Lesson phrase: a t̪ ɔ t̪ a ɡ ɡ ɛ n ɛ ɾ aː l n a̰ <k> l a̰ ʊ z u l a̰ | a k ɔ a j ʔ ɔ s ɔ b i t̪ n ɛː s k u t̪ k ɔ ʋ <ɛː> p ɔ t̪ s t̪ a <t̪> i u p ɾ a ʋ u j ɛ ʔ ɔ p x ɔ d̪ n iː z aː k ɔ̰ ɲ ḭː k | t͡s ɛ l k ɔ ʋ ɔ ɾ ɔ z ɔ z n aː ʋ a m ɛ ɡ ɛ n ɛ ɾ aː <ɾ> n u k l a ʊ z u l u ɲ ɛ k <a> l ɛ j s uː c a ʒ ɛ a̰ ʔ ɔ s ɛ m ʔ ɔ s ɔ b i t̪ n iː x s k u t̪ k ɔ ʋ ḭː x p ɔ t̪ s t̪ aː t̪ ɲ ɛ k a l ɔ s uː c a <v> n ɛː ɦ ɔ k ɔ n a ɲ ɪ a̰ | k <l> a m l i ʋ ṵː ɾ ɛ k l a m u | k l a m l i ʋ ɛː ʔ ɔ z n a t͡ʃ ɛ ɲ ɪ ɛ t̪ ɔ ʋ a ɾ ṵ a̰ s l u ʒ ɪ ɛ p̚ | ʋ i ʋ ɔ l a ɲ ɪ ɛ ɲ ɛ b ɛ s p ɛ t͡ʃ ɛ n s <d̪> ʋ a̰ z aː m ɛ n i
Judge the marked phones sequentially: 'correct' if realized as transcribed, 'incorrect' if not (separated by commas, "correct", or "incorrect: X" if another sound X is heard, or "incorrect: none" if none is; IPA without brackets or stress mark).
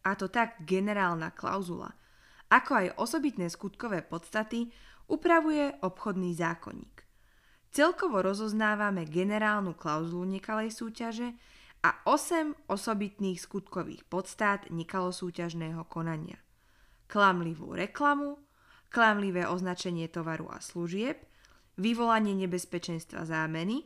correct, correct, correct, incorrect: l, correct, incorrect: ʒ, correct, incorrect: t̪